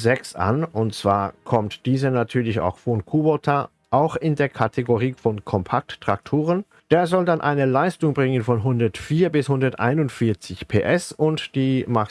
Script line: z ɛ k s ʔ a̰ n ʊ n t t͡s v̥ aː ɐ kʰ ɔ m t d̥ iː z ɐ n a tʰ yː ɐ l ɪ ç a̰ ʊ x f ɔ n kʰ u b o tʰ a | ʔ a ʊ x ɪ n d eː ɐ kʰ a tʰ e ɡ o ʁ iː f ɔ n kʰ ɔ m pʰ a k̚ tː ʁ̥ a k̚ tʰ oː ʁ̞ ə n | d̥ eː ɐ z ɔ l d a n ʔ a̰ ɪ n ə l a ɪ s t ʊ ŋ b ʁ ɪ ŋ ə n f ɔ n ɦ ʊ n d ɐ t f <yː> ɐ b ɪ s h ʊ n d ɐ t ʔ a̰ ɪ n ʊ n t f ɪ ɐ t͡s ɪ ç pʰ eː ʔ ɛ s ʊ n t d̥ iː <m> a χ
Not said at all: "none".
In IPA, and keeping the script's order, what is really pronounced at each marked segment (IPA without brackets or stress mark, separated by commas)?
iː, m